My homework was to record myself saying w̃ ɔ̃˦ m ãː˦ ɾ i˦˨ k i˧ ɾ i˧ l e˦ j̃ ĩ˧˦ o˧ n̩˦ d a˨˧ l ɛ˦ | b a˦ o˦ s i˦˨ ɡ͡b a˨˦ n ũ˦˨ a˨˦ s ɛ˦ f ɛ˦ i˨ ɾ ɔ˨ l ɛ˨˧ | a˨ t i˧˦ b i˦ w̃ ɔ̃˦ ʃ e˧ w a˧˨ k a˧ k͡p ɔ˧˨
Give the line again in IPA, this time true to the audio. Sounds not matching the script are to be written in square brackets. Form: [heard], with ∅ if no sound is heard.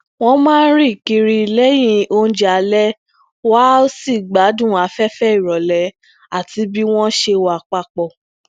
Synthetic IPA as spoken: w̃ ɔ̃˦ m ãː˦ ɾ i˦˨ k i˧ ɾ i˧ l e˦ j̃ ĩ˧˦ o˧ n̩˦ [d͡ʒ] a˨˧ l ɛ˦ | [w] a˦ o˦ s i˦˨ ɡ͡b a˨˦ [d] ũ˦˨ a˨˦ [f] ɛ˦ f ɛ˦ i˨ ɾ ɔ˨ l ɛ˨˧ | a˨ t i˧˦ b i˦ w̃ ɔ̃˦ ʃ e˧ w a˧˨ [k͡p] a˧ k͡p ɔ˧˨